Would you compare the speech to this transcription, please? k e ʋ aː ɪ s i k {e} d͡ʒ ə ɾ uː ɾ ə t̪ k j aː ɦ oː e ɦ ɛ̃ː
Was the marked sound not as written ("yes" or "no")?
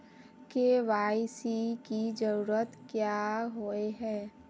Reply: yes